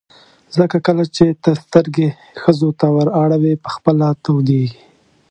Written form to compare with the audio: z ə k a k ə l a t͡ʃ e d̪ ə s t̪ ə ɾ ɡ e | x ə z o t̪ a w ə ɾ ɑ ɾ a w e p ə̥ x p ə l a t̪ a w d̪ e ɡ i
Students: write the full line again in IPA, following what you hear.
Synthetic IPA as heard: z ə k a k ə l a t͡ʃ e t̪ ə s t̪ ə ɾ ɡ e | x ə z o t̪ a w ə ɾ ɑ ɽ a w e p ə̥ x p ə l a t̪ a w d̪ e ɡ i